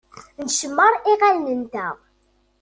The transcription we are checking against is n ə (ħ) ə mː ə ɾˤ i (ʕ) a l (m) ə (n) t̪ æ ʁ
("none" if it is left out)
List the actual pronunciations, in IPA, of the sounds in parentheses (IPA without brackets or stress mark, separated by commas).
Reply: ʃ, ʁ, n, n